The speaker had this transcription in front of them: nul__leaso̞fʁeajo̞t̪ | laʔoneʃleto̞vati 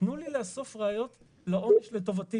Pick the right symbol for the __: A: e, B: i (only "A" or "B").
B